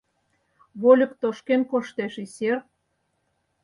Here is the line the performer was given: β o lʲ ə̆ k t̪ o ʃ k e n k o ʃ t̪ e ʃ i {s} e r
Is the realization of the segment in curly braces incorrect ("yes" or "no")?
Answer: no